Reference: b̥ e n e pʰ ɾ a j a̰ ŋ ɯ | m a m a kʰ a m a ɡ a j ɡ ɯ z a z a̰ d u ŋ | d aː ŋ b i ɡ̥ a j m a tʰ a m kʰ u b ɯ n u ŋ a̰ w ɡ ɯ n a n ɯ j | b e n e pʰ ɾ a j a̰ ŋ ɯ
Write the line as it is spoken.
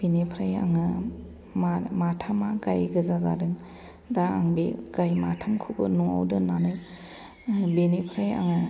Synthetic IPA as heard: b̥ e n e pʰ ɾ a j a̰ ŋ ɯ | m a m a tʰ a m a ɡ a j ɡ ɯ z a z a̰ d ɯ ŋ | d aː ŋ b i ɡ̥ a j m a tʰ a m kʰ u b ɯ n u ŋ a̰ w d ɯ n a n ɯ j | b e n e pʰ ɾ a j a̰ ŋ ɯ